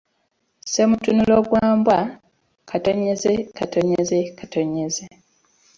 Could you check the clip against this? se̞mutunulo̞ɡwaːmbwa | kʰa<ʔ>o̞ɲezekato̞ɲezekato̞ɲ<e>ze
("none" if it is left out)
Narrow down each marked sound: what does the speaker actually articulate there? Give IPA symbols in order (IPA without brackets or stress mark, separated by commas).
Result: t, e